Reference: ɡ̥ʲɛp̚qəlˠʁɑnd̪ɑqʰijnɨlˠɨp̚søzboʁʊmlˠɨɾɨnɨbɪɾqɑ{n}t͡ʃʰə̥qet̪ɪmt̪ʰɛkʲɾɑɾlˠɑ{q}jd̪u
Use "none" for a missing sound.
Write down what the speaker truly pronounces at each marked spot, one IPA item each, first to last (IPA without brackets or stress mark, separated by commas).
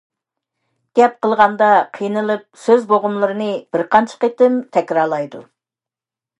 n, none